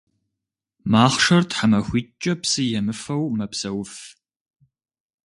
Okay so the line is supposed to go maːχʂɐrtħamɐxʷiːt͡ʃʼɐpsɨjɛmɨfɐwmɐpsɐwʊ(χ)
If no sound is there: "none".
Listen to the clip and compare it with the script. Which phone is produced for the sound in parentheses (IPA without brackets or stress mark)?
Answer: f